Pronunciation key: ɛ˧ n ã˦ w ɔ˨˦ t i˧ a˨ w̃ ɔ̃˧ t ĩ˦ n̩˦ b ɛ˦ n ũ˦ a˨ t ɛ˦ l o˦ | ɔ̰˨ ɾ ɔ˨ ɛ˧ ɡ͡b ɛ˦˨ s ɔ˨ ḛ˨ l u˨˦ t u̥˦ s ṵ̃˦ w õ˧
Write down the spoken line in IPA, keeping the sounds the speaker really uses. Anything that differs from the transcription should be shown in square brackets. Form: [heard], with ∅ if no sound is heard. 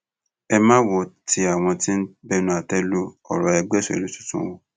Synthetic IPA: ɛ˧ [m] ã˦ w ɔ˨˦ t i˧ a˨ w̃ ɔ̃˧ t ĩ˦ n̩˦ b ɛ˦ n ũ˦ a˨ t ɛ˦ l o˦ | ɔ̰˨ ɾ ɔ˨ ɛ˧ ɡ͡b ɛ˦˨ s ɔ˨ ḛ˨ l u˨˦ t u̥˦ [t] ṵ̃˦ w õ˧